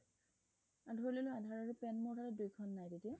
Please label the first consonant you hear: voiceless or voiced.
voiced